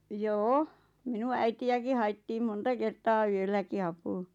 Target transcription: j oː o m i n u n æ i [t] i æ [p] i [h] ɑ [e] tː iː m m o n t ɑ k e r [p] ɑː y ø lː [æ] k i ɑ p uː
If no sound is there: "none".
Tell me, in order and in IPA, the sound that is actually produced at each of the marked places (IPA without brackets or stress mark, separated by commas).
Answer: t, k, h, i, t, æ